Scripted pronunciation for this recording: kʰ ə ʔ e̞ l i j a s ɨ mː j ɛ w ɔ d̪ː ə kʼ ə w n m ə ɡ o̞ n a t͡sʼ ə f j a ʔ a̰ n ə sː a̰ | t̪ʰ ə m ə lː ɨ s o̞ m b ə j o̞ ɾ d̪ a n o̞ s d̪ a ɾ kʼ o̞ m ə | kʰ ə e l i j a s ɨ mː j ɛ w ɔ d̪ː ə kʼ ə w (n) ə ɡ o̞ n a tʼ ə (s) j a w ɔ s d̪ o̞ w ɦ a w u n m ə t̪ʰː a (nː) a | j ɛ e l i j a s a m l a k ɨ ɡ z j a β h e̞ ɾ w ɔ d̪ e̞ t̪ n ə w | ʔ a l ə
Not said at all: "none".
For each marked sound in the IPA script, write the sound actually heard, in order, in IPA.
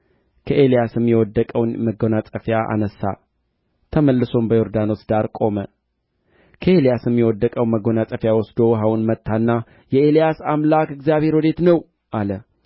m, f, nː

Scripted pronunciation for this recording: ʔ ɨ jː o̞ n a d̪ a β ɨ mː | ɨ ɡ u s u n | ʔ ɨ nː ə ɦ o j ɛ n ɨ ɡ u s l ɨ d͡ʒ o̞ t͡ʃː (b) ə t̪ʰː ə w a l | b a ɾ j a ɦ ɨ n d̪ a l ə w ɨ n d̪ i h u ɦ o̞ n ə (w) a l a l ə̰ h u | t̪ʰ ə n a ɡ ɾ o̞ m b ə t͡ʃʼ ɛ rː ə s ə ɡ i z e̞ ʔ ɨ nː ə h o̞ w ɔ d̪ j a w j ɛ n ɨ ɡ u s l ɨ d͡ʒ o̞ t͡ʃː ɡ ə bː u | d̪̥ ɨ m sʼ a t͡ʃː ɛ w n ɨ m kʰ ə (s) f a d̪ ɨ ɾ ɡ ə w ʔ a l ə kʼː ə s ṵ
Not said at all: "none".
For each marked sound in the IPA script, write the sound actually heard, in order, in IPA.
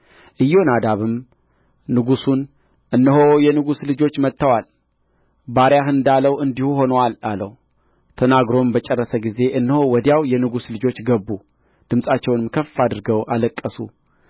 m, w, f

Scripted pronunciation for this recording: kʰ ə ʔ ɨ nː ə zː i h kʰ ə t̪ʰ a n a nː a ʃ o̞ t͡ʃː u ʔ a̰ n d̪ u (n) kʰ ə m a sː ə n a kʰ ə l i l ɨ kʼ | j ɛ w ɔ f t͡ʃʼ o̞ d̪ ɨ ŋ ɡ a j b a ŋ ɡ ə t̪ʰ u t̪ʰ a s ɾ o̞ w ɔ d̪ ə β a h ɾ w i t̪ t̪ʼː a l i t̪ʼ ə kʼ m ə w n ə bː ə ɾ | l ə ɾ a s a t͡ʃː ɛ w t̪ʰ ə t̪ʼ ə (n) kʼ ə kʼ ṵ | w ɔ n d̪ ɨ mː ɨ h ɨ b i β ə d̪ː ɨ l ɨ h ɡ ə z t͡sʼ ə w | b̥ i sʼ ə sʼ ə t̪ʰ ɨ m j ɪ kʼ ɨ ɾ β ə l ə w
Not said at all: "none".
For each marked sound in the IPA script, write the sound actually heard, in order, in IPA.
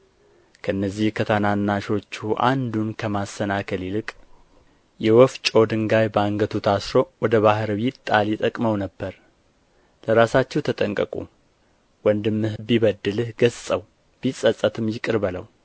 n, ŋ

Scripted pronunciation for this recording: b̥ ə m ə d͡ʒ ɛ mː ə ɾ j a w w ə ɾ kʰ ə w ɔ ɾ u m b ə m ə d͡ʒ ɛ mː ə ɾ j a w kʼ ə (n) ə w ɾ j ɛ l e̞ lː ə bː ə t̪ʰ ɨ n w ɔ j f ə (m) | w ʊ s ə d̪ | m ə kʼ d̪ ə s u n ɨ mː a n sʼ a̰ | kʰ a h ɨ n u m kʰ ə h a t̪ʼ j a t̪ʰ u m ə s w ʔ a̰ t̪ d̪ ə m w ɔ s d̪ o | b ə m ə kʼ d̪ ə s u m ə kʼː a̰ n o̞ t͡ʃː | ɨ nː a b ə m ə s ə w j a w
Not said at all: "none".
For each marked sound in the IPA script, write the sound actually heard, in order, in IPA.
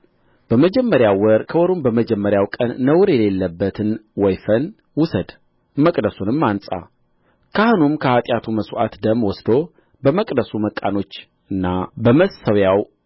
nː, n

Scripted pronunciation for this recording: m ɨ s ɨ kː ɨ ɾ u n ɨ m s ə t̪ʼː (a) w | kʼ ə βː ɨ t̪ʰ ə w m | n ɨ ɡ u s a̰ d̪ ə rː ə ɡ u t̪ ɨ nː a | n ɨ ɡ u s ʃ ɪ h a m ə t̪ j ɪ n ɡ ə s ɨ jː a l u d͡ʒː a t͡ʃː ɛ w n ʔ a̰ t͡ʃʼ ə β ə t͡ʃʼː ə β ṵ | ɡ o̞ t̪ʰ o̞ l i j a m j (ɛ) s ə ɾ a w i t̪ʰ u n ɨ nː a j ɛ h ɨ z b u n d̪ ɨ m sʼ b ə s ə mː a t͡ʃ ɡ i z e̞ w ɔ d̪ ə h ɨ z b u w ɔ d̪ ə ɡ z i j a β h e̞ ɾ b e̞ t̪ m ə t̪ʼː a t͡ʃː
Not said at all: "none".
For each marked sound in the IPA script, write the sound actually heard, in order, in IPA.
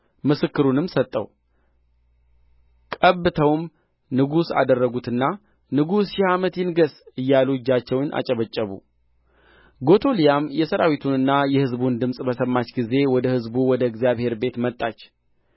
ə, ɛ

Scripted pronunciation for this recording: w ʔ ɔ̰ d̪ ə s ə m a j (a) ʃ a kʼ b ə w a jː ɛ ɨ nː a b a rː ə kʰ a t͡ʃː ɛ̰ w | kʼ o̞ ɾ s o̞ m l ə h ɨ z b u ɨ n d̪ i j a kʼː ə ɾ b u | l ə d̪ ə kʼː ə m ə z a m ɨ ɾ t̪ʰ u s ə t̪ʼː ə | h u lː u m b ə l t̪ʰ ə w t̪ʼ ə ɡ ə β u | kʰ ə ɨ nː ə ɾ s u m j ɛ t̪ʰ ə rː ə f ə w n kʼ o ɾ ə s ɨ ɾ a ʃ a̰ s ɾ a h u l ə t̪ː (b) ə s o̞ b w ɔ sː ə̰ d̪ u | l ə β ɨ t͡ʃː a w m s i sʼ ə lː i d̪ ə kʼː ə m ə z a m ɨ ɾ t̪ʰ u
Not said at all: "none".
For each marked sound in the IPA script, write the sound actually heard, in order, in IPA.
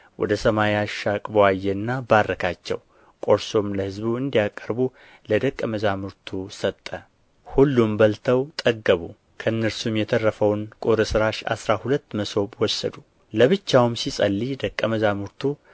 a, m

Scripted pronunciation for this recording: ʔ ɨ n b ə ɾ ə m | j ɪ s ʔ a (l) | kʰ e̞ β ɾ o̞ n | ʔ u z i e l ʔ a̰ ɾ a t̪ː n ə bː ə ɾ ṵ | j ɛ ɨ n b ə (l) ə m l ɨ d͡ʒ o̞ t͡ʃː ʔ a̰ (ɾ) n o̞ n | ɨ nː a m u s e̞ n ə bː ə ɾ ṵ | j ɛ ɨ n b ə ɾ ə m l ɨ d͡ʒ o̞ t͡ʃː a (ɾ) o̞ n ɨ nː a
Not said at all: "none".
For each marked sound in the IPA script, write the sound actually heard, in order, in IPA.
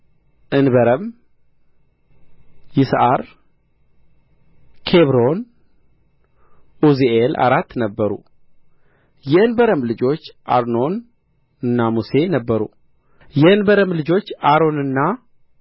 ɾ, ɾ, ɾ, ɾ

